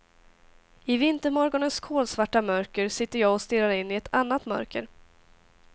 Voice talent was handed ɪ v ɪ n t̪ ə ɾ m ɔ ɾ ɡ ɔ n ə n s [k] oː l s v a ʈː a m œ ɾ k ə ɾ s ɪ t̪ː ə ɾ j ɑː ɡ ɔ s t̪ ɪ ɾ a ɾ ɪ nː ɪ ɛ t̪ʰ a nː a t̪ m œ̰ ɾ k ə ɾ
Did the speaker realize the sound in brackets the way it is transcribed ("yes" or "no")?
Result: no